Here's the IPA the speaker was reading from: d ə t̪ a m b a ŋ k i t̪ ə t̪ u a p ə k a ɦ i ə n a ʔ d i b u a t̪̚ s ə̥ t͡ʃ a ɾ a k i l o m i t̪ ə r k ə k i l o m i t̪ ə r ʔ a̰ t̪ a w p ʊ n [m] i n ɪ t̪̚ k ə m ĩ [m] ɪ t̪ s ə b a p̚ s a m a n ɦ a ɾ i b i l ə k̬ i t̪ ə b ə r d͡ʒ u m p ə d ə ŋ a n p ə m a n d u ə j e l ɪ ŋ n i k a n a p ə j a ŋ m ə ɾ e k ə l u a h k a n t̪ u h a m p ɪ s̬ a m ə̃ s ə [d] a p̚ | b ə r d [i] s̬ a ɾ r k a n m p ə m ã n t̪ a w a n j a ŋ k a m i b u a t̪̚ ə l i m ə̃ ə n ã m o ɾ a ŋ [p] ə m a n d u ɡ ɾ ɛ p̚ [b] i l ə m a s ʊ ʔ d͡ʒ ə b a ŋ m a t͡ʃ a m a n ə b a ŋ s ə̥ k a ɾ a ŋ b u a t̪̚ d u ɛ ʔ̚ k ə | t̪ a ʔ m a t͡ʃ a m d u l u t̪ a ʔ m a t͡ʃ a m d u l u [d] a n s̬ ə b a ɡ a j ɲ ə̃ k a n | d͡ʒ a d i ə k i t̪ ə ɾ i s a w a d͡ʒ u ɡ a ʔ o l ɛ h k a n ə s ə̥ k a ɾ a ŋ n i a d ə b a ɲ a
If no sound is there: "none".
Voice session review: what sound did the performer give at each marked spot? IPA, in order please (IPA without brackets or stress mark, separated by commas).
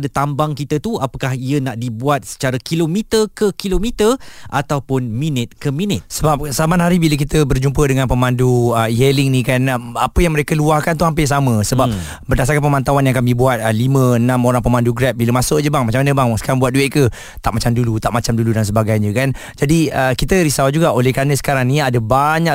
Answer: m, n, b, a, p, b, d